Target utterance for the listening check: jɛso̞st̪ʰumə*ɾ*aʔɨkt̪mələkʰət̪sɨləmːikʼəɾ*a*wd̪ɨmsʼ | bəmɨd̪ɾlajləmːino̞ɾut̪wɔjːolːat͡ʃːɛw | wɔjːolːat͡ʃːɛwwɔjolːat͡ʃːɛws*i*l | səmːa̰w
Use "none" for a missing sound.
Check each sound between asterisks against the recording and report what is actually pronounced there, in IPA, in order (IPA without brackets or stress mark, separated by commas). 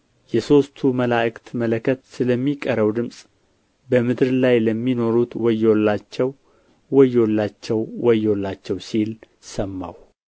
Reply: l, ə, i